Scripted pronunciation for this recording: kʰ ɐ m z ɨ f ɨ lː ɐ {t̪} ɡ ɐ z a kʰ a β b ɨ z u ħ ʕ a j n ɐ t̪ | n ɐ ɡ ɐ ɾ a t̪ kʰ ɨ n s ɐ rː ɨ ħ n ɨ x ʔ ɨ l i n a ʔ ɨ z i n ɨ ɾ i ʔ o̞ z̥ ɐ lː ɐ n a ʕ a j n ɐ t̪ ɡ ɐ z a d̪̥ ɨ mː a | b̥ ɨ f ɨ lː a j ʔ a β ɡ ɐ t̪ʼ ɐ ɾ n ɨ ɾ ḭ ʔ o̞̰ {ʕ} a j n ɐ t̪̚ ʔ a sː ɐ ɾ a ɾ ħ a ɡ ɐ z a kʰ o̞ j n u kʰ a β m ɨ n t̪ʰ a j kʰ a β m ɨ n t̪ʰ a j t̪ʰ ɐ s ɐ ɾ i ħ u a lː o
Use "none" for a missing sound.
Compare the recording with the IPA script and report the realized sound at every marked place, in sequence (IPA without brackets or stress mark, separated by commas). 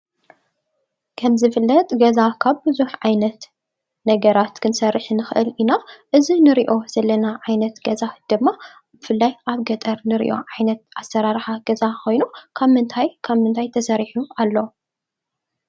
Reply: t̪ʼ, ʕ